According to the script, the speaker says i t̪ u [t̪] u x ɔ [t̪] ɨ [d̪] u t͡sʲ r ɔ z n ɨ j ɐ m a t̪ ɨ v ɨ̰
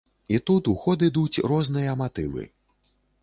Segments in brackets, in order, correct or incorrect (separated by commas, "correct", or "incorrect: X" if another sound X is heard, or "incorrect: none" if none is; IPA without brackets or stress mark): correct, incorrect: d̪, correct